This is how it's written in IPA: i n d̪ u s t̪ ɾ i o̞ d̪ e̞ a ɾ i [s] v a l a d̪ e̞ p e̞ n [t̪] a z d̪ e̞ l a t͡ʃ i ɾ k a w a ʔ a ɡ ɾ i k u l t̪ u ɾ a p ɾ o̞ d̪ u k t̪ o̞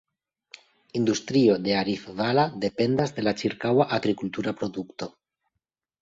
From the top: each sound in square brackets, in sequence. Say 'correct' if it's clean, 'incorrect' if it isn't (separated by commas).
incorrect, incorrect